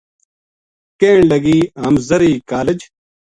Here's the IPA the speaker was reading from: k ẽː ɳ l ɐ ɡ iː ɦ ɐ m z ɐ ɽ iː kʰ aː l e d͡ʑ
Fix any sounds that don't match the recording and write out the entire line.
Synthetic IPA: k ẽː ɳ l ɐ ɡ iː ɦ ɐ m z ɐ ɾ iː k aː l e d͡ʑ